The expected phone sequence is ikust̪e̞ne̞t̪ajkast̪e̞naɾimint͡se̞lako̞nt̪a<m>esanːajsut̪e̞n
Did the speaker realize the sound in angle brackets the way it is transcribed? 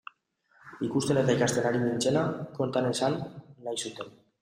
no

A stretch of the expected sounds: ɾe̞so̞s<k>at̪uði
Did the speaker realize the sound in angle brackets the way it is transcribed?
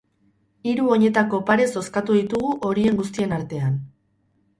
yes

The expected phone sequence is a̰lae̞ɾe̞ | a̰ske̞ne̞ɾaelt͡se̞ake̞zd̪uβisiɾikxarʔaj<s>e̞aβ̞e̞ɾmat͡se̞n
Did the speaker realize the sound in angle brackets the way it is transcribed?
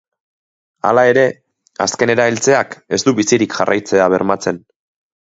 no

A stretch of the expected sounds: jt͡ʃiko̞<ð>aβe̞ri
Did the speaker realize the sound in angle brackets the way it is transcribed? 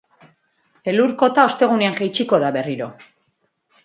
yes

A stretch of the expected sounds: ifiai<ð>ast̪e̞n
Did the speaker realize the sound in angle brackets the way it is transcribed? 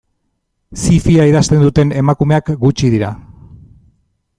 yes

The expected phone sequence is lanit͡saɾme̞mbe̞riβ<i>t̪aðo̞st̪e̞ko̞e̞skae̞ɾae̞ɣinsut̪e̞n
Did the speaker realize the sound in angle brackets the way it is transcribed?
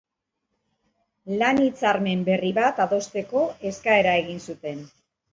no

